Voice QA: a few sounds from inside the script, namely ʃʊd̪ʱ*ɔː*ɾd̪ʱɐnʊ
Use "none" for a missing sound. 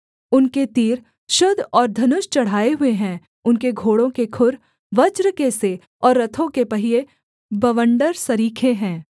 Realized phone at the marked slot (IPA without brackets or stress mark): ɔː